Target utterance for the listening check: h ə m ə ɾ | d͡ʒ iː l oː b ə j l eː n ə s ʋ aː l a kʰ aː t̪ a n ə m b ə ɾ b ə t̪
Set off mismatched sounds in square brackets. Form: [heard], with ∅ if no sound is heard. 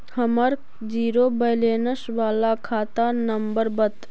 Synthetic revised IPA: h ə m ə ɾ | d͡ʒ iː [ɾ] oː b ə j l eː n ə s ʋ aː l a kʰ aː t̪ a n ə m b ə ɾ b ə t̪